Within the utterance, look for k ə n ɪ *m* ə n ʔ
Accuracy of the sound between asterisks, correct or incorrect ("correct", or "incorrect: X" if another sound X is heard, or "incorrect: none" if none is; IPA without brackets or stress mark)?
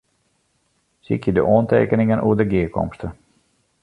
incorrect: ŋ